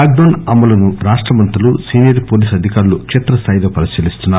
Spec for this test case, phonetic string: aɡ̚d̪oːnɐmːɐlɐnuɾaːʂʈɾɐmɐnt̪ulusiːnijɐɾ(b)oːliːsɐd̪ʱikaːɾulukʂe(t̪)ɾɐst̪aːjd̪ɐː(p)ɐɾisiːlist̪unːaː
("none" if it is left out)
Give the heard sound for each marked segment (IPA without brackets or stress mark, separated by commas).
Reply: p, t̪, p